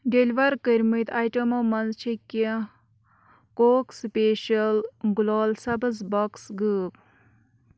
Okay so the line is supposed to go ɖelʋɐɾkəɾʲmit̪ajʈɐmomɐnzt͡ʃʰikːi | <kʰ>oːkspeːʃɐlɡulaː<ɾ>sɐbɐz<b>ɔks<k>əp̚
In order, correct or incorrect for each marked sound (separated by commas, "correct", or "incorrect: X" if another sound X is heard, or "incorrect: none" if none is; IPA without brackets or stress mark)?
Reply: incorrect: k, incorrect: l, correct, incorrect: ɡ